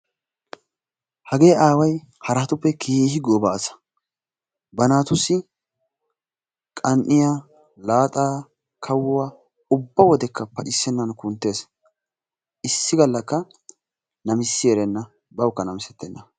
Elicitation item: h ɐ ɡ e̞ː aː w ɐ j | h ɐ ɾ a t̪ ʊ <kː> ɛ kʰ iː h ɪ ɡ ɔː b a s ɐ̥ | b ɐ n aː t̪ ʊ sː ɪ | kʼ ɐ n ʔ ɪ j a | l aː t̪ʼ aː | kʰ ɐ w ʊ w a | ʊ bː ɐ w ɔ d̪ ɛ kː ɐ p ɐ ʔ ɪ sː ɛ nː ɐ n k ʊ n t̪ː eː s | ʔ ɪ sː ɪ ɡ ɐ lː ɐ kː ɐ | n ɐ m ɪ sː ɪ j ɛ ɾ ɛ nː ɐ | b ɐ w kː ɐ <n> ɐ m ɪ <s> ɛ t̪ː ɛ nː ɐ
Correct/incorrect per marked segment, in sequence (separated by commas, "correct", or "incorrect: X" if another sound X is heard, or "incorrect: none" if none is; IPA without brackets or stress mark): incorrect: pː, correct, correct